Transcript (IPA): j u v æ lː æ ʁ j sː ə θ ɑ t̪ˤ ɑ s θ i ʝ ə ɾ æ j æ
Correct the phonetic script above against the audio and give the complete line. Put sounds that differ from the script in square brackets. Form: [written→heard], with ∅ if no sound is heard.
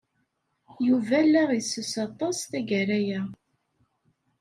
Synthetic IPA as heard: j u v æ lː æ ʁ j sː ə [θ→s] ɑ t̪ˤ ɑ s θ [i→æ] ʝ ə ɾ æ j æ